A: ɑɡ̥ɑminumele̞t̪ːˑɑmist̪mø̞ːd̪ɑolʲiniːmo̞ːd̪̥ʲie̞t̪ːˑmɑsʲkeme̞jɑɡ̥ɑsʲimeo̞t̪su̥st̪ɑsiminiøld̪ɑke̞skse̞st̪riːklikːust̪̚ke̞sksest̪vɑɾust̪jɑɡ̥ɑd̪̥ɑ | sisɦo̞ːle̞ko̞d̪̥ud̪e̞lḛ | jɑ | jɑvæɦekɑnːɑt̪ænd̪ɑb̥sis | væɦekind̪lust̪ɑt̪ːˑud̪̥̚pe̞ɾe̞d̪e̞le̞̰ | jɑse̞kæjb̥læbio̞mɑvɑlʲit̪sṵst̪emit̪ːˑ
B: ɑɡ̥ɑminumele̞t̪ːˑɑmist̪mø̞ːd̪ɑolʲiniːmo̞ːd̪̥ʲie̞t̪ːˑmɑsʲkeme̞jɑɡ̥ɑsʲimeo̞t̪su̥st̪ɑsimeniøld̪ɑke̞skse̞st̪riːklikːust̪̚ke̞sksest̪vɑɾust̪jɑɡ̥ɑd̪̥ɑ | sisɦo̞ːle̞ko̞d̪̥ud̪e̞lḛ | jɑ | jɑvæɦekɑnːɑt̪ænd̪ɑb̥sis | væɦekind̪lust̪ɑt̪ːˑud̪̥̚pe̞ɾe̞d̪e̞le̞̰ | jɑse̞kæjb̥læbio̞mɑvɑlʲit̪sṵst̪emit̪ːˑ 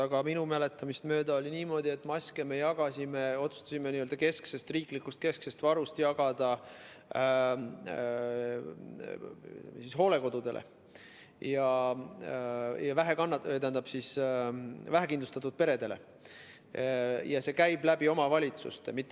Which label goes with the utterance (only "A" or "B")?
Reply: B